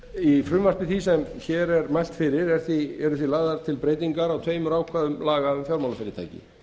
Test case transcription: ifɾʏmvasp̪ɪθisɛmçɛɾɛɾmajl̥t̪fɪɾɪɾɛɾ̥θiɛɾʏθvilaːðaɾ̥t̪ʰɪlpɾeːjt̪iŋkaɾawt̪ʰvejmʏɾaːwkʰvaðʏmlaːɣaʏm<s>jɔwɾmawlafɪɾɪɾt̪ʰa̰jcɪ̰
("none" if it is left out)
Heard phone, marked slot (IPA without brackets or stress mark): f